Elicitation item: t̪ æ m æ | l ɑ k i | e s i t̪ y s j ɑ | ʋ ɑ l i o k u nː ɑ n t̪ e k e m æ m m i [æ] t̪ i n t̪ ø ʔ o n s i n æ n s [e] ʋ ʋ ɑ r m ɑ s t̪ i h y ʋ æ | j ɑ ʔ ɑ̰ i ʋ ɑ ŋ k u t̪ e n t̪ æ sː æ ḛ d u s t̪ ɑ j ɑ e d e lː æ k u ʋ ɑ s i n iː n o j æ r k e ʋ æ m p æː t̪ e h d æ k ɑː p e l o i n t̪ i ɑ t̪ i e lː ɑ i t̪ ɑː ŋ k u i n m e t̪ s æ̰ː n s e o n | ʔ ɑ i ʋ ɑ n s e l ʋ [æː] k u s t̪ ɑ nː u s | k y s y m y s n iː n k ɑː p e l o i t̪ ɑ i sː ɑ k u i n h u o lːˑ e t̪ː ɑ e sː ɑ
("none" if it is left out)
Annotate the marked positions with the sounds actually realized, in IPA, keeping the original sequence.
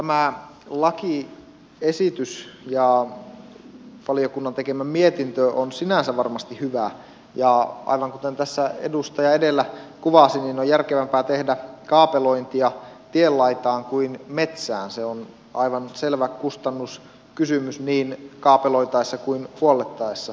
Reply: e, æ, æ

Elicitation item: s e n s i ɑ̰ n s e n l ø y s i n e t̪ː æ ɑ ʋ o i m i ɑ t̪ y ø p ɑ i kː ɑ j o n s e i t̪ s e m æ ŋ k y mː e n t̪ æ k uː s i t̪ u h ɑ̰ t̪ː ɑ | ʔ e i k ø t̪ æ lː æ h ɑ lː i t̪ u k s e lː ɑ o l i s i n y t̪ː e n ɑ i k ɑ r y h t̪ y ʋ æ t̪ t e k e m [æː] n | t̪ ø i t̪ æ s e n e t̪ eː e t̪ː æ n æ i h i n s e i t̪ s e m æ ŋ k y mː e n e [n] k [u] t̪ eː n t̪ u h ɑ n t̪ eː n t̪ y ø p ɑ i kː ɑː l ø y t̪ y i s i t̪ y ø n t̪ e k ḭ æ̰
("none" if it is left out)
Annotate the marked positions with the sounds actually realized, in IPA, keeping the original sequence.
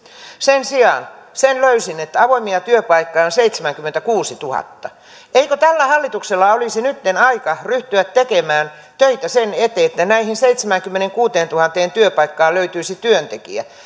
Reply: æː, ŋ, uː

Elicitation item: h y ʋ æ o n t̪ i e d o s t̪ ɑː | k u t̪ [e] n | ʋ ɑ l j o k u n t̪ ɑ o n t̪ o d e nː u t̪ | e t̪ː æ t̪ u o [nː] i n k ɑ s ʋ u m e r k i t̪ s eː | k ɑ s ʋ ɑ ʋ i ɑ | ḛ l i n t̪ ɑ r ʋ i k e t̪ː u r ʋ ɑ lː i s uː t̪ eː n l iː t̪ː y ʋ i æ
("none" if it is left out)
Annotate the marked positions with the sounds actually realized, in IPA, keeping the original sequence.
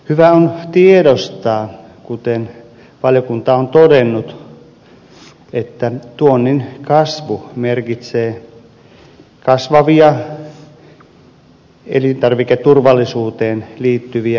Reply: e, nː

